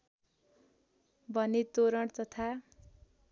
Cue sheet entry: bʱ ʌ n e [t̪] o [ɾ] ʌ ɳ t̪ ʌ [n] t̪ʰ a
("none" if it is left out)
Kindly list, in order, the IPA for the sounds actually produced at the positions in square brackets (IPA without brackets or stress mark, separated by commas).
t̪, ɾ, none